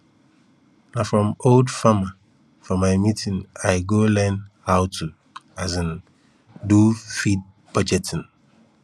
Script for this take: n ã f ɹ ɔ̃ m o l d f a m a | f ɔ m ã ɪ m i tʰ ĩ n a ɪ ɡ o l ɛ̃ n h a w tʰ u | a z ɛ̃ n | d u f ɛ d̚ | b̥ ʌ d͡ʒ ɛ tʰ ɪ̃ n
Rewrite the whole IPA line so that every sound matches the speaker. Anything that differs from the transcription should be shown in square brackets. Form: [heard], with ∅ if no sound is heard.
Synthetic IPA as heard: n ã f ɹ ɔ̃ m o l d f a m a | f ɔ m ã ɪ m i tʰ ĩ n a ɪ ɡ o l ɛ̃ n h a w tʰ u | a z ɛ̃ n | d u f [i] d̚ | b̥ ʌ d͡ʒ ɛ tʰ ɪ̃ n